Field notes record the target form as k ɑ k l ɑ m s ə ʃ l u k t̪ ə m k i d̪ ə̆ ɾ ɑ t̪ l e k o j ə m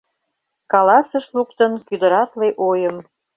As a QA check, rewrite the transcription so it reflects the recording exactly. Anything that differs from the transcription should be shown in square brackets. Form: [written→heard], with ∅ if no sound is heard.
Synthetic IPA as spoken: k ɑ [k→∅] l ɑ [m→∅] s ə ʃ l u k t̪ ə [m→n] k [i→y] d̪ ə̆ ɾ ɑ t̪ l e [k→ʔ] o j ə m